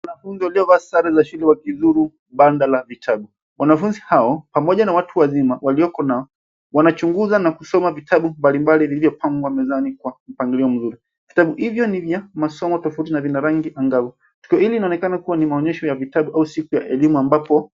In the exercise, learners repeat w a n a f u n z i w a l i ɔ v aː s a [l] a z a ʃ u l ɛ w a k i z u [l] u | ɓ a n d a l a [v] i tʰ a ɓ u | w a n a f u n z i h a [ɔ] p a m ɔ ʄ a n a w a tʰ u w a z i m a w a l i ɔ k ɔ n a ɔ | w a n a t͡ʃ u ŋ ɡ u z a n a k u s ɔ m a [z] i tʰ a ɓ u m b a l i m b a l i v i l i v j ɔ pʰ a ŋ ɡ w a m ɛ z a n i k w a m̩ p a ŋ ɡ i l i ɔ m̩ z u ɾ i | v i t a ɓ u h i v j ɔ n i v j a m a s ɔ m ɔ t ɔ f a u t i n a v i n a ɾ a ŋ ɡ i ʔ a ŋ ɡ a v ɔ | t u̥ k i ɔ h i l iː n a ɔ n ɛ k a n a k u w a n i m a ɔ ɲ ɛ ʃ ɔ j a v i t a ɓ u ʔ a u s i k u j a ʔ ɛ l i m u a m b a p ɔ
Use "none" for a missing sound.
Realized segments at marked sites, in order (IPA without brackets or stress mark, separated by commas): ɾ, ɾ, v, ɔ, v